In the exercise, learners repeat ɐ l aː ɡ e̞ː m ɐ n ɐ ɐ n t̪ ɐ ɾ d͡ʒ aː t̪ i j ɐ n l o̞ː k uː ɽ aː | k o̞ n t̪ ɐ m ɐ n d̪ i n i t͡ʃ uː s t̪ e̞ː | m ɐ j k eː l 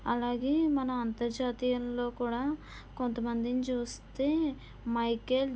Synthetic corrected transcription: ɐ l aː ɡ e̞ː m ɐ n ɐ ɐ n t̪ ɐ ɾ d͡ʒ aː t̪ i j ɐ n l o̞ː k uː ɽ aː | k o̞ n t̪ ɐ m ɐ n d̪ i n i t͡ʃ uː s t̪ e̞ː | m ɐ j k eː l